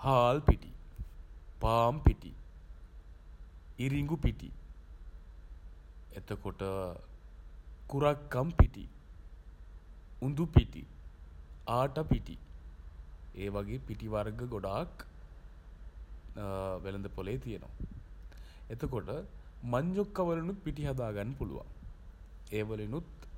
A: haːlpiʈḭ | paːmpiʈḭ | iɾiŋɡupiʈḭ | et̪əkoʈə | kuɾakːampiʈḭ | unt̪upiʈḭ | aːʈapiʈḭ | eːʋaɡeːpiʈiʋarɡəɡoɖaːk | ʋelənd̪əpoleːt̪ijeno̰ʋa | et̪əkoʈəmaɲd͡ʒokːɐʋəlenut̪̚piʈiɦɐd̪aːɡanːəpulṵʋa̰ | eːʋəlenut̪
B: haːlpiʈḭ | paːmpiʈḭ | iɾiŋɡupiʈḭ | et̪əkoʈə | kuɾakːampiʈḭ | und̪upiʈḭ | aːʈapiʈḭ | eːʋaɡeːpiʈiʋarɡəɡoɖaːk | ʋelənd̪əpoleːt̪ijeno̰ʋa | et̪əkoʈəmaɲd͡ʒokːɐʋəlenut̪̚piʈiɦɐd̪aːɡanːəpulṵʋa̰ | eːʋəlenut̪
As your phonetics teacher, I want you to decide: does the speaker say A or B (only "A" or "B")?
B